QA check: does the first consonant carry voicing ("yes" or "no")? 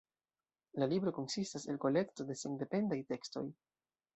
yes